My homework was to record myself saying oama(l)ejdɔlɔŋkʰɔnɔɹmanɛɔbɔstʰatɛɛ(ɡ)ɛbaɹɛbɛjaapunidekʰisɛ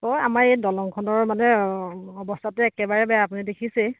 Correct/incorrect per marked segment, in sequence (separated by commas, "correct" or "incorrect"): incorrect, incorrect